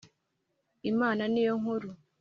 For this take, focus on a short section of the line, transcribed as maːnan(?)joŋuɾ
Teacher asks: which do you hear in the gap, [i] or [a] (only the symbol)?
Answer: i